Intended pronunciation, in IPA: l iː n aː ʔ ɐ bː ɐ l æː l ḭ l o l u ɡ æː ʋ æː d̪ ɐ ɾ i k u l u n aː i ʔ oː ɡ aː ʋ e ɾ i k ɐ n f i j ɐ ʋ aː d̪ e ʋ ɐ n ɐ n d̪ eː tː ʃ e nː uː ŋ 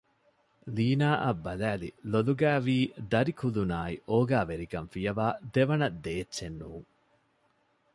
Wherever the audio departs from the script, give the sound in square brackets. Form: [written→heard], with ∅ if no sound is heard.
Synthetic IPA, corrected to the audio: l iː n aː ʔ ɐ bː ɐ l æː l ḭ l o l u ɡ æː ʋ [æː→iː] d̪ ɐ ɾ i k u l u n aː i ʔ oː ɡ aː ʋ e ɾ i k ɐ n f i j ɐ ʋ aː d̪ e ʋ ɐ n ɐ [n→∅] d̪ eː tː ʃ e nː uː ŋ